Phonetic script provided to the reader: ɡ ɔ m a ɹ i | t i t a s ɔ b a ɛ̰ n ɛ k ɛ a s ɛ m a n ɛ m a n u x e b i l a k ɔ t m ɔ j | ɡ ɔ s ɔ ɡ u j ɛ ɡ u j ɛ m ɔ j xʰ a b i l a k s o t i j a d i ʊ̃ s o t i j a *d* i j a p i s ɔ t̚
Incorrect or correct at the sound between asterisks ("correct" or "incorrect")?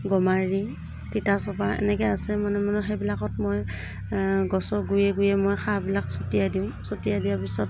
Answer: correct